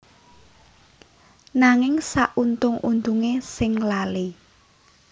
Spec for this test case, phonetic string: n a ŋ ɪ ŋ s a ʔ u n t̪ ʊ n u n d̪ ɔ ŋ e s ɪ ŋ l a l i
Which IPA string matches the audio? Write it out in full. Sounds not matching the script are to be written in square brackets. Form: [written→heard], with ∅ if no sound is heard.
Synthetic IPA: n a ŋ ɪ ŋ s a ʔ u n t̪ ʊ [n→ŋ] u n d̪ [ɔ→u] ŋ e s ɪ ŋ l a l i